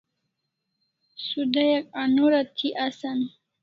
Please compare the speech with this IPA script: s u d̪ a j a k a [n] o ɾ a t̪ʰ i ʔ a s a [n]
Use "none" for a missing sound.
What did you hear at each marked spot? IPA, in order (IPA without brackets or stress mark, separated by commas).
n, n